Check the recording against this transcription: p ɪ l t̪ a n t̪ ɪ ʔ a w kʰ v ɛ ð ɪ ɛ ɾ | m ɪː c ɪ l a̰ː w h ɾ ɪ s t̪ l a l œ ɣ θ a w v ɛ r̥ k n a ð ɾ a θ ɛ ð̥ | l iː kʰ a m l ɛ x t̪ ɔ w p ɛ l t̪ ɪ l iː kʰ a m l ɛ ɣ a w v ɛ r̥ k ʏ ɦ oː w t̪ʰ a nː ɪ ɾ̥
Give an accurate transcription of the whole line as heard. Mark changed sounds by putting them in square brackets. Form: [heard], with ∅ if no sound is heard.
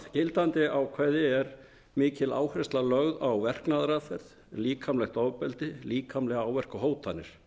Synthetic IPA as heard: [c] ɪ l t̪ a n t̪ ɪ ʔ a w kʰ v ɛ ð ɪ ɛ ɾ | m ɪː c ɪ l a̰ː w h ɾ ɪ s t̪ l a l œ ɣ [ð] a w v ɛ r̥ k n a ð ɾ a θ ɛ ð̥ | l iː kʰ a m l ɛ x t̪ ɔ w p ɛ l t̪ ɪ l iː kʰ a m l ɛ ɣ a w v ɛ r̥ k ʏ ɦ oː w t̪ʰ a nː ɪ ɾ̥